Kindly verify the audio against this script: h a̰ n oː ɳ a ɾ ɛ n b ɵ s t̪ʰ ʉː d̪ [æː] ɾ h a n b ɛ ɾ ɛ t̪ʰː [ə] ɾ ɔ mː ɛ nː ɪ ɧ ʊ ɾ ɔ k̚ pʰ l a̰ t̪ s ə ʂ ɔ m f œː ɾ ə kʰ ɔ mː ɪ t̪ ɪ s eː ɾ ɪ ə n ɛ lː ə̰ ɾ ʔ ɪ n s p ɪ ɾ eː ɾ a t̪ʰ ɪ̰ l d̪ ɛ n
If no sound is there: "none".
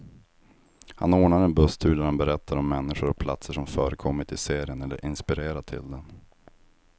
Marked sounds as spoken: æ, a

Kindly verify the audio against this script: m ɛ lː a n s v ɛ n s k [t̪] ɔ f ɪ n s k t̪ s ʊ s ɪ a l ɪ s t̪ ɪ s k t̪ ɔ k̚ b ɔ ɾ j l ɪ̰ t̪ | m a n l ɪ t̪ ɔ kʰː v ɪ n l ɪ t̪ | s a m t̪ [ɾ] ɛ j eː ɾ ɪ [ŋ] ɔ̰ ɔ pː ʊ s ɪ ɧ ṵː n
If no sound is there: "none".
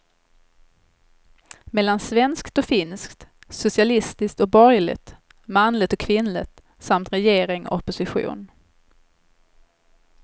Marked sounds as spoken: t̪, ɾ, ŋ

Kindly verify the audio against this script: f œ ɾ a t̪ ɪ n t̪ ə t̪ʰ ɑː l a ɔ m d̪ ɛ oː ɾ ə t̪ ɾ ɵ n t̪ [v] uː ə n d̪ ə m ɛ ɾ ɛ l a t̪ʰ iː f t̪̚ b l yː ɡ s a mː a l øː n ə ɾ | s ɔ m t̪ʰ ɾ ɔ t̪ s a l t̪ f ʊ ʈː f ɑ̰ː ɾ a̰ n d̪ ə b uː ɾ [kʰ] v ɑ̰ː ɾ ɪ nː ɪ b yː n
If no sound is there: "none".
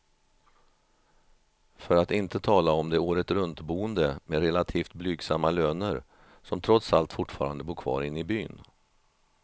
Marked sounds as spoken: b, kʰ

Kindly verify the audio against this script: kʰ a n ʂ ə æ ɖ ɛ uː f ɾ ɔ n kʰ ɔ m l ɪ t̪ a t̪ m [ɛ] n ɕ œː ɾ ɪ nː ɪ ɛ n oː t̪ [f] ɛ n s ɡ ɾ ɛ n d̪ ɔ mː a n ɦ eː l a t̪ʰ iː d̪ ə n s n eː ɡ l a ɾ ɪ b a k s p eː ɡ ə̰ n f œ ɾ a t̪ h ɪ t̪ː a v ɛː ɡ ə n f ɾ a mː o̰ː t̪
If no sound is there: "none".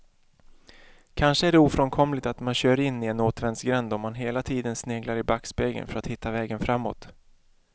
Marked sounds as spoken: a, v

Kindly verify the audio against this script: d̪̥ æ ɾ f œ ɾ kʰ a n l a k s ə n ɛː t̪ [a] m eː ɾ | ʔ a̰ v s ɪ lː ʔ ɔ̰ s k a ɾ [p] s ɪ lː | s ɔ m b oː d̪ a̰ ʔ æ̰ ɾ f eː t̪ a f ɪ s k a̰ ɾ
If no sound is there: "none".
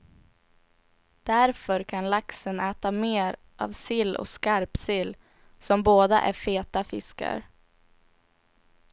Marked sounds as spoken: a, p

